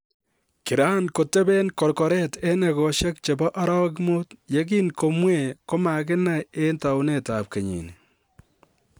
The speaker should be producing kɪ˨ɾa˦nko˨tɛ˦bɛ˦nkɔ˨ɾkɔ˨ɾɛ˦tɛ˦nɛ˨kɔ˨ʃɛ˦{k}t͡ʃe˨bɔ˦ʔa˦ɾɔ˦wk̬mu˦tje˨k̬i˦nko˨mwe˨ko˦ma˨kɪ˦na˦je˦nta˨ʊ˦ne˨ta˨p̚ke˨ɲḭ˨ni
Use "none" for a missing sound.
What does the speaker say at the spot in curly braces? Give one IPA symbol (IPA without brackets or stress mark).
k